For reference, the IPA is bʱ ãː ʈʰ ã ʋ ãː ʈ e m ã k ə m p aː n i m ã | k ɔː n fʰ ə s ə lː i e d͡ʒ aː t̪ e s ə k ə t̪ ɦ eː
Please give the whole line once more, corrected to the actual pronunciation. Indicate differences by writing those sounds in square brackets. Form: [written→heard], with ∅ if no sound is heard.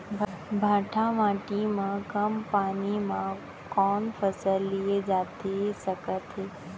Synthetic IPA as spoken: bʱ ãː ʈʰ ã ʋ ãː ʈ [e→i] m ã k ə m p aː n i m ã | k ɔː n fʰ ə s ə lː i e d͡ʒ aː t̪ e s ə k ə t̪ ɦ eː